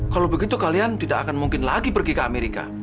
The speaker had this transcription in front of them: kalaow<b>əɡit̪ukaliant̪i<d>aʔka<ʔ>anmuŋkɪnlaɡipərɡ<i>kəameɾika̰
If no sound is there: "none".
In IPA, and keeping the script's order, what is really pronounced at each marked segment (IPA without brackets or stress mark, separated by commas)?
b, d, k, i